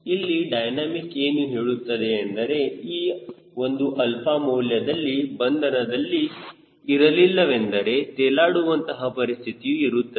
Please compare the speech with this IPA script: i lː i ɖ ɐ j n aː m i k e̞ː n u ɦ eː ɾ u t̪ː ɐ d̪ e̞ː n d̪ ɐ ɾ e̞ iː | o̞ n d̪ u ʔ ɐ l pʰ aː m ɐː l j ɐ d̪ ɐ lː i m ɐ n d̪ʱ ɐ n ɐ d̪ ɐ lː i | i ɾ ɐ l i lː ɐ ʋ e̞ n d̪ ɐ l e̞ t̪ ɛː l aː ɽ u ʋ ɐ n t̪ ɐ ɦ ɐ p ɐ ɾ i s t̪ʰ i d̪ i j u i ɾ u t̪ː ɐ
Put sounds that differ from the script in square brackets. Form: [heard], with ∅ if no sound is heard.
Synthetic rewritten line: i lː i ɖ ɐ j n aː m i k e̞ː n u ɦ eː [ɭ] u t̪ː ɐ d̪ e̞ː n d̪ ɐ ɾ e̞ iː | o̞ n d̪ u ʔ ɐ l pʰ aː m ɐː l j ɐ d̪ ɐ lː i [b] ɐ n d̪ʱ ɐ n ɐ d̪ ɐ lː i | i ɾ ɐ l i lː ɐ ʋ e̞ n d̪ ɐ [ɾ] e̞ t̪ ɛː l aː ɽ u ʋ ɐ n t̪ ɐ ɦ ɐ p ɐ ɾ i s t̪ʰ i [t̪] i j u i ɾ u t̪ː ɐ

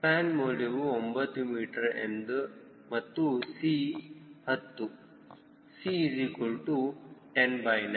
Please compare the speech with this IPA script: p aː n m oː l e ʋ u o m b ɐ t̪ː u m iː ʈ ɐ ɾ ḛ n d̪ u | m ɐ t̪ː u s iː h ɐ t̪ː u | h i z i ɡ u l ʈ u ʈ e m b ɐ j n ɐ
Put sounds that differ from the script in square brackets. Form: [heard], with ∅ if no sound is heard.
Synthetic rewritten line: p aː n m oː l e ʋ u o m b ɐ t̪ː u m iː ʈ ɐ ɾ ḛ n d̪ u | m ɐ t̪ː u s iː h ɐ t̪ː u | [s] i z i [k] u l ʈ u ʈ e [n] b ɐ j n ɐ

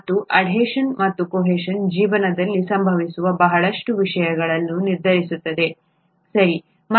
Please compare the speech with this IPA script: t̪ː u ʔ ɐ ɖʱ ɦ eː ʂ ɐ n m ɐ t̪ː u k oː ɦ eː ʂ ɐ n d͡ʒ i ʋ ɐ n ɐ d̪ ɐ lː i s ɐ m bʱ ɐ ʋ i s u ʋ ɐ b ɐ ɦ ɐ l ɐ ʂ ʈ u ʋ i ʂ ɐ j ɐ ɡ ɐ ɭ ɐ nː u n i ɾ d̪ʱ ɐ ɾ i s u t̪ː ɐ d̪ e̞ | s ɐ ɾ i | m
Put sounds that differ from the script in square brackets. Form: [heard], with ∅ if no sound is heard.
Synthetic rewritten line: t̪ː u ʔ ɐ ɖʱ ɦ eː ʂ ɐ n m ɐ t̪ː u k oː ɦ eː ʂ ɐ n d͡ʒ [iː] ʋ ɐ n ɐ d̪ ɐ lː i s ɐ m bʱ ɐ ʋ i s u ʋ ɐ b ɐ ɦ ɐ [ɭ] ɐ ʂ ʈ u ʋ i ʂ ɐ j ɐ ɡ ɐ ɭ ɐ nː u n i ɾ d̪ʱ ɐ ɾ i s u t̪ː ɐ d̪ e̞ | s ɐ ɾ i | m

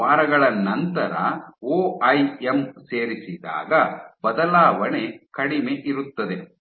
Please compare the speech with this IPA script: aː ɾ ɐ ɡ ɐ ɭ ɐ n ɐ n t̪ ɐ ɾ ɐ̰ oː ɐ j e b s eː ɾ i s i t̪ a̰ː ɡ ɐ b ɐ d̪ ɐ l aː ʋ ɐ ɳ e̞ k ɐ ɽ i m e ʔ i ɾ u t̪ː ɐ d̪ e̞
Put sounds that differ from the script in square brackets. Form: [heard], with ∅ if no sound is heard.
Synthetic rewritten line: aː ɾ ɐ ɡ ɐ ɭ ɐ n ɐ n t̪ ɐ ɾ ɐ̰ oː ɐ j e [m] s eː ɾ i s i [d̪] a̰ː ɡ ɐ b ɐ d̪ ɐ l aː ʋ ɐ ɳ e̞ k ɐ ɽ i m e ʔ i ɾ u t̪ː ɐ d̪ e̞

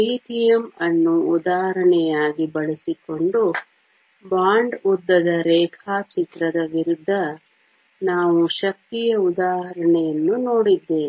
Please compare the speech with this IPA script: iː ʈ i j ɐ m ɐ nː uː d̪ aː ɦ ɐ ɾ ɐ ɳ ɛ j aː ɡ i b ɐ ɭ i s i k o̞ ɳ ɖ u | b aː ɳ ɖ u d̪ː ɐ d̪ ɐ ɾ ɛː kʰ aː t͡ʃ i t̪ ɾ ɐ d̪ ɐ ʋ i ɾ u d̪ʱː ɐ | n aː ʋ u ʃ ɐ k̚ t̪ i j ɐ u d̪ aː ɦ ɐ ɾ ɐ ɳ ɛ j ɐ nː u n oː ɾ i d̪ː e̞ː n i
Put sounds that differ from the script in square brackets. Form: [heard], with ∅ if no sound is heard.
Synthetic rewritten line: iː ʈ i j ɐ m ɐ nː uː d̪ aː ɦ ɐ ɾ ɐ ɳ ɛ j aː ɡ i b ɐ ɭ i s i k o̞ ɳ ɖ u | b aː ɳ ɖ u d̪ː ɐ d̪ ɐ ɾ ɛː kʰ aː t͡ʃ i t̪ ɾ ɐ d̪ ɐ ʋ i ɾ u d̪ʱː ɐ | n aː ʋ u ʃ ɐ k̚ t̪ i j ɐ u d̪ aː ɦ ɐ ɾ ɐ ɳ ɛ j ɐ nː u n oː [ɽ] i d̪ː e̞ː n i

